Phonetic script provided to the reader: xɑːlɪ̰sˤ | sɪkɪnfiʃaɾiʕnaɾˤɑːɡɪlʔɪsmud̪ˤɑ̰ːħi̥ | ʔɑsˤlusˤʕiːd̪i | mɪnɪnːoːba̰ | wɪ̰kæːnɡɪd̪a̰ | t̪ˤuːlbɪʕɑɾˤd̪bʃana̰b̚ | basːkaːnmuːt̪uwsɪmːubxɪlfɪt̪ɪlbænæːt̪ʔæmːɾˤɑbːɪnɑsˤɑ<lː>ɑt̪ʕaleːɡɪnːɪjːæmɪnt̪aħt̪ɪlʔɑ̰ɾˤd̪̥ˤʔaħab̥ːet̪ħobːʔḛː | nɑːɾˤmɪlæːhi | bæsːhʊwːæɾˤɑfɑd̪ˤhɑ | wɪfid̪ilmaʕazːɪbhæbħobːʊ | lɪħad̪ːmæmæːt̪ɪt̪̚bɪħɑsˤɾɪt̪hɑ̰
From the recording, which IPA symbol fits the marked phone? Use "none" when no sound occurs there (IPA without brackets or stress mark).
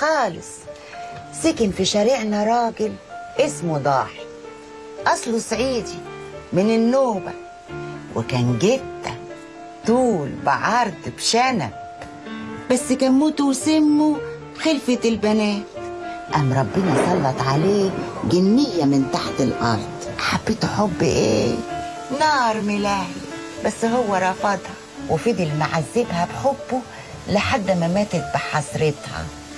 lː